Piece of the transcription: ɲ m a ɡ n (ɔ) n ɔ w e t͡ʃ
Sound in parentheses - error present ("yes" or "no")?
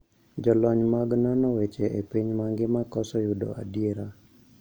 no